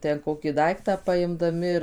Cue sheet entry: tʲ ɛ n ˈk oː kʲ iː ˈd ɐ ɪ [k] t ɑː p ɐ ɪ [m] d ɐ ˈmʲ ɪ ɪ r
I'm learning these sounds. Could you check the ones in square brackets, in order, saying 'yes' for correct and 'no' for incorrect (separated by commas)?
yes, yes